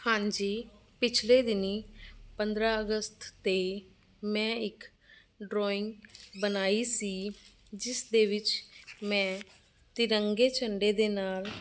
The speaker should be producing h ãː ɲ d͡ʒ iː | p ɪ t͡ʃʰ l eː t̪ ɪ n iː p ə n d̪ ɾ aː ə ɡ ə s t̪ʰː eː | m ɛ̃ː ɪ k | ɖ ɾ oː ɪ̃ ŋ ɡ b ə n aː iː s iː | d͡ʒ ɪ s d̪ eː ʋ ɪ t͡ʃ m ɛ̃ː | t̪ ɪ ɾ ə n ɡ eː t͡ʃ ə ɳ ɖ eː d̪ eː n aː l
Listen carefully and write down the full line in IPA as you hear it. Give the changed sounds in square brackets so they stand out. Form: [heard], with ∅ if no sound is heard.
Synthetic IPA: h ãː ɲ d͡ʒ iː | p ɪ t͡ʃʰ l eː [d̪] ɪ n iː p ə n d̪ ɾ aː ə ɡ ə s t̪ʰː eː | m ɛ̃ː ɪ k | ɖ ɾ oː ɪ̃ ŋ ɡ b ə n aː iː s iː | d͡ʒ ɪ s d̪ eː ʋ ɪ t͡ʃ m ɛ̃ː | t̪ ɪ ɾ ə [ŋ] ɡ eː t͡ʃ ə ɳ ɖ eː d̪ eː n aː l